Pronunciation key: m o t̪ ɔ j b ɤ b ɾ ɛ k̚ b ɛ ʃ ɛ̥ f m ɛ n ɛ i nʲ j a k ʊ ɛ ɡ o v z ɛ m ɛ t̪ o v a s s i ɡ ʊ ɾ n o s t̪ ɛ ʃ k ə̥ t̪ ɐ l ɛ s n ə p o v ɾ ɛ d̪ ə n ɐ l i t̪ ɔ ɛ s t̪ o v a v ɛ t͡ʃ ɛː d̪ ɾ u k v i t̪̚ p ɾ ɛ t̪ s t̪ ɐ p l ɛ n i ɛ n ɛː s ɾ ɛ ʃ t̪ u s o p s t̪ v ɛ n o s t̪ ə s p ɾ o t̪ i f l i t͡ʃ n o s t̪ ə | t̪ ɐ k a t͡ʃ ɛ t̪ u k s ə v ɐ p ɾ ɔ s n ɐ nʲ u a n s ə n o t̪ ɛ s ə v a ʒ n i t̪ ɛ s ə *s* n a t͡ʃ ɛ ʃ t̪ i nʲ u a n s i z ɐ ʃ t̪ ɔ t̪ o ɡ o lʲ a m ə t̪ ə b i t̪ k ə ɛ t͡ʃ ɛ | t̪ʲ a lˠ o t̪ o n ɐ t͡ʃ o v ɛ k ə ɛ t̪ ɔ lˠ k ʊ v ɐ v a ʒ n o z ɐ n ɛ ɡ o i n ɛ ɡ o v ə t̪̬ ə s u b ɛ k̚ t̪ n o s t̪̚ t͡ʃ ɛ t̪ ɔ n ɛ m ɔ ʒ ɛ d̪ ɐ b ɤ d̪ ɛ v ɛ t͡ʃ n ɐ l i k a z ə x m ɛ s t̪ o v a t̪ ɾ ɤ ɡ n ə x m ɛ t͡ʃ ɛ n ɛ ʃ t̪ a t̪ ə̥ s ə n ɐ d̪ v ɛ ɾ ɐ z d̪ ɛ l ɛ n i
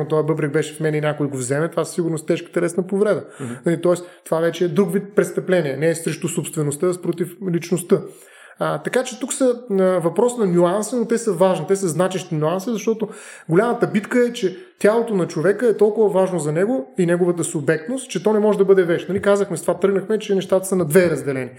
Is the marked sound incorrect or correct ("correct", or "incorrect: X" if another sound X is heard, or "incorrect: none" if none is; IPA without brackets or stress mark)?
incorrect: z